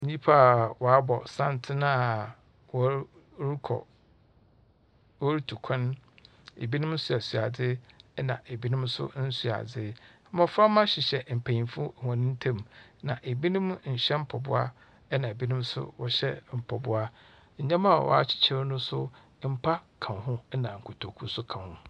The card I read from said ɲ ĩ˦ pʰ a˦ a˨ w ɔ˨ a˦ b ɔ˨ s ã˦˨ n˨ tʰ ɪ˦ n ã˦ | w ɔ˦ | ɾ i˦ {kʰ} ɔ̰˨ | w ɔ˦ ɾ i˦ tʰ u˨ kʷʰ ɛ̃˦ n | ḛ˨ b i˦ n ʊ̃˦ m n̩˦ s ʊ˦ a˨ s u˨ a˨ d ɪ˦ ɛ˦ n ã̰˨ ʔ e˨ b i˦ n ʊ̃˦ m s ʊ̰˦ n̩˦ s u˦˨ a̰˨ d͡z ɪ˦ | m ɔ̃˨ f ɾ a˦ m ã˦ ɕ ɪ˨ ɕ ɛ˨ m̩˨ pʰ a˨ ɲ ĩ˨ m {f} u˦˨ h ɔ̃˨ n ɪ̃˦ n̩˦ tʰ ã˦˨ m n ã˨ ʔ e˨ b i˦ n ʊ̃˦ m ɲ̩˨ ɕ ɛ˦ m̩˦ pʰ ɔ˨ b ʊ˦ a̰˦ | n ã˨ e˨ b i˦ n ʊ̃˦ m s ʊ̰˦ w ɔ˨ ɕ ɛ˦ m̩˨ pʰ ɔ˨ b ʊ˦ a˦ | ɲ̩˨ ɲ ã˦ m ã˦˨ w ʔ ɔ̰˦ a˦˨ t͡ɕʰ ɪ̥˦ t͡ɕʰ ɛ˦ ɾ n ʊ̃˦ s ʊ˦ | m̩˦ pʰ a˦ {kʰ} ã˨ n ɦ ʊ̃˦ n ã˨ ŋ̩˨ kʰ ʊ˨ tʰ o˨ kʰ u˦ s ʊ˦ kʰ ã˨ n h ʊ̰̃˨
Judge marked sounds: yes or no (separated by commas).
yes, yes, yes